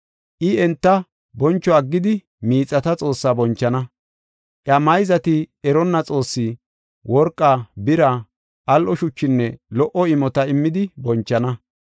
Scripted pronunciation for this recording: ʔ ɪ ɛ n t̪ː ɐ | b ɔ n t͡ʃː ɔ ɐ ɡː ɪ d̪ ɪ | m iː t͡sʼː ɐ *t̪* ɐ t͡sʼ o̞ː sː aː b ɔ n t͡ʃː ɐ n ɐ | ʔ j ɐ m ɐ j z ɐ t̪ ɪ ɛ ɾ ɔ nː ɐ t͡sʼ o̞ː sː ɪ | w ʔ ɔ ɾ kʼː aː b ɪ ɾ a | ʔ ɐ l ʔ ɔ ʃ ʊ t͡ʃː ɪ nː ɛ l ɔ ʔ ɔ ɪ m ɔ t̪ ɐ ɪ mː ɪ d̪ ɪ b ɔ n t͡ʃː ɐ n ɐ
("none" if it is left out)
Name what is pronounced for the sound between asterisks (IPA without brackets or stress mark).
t̪